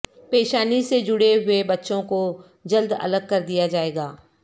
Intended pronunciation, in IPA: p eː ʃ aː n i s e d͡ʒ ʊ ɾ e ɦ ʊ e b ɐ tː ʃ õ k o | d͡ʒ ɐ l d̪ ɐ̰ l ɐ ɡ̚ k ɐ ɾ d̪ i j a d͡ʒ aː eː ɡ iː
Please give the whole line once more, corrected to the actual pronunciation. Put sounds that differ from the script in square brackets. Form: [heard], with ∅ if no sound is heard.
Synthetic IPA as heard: p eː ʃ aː n i s e d͡ʒ ʊ [ɽ] e ɦ ʊ e b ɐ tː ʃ õ k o | d͡ʒ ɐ l d̪ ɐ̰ l [ə] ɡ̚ k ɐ ɾ d̪ i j a d͡ʒ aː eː ɡ [aː]